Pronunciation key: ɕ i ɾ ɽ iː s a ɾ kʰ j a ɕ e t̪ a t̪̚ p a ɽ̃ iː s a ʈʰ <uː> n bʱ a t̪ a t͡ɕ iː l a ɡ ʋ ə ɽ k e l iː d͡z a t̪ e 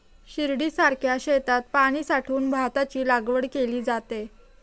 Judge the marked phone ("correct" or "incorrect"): correct